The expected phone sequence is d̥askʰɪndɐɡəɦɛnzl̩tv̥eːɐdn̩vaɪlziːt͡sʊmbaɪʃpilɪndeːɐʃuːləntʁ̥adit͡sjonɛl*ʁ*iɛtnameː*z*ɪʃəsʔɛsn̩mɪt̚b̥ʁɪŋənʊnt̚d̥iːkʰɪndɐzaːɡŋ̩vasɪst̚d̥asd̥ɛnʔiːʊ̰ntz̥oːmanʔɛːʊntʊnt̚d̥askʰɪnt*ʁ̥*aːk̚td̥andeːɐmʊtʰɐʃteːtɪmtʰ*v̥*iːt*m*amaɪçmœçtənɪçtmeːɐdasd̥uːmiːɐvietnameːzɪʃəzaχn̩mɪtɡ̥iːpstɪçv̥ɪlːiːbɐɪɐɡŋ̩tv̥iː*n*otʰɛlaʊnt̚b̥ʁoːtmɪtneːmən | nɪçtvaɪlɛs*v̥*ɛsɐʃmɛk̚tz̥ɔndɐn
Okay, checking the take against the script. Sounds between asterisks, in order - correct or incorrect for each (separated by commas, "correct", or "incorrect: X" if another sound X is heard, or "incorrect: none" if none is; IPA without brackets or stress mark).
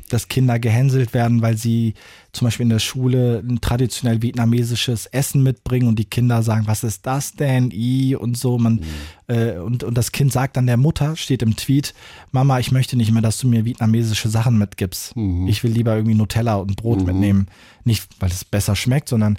incorrect: v, correct, incorrect: z̥, correct, correct, correct, incorrect: b̥